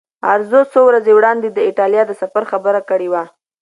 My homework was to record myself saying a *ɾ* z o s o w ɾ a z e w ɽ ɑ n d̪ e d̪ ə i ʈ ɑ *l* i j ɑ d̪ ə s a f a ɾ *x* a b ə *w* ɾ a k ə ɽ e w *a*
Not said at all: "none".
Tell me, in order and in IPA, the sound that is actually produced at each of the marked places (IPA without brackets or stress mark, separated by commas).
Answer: ɾ, l, x, none, a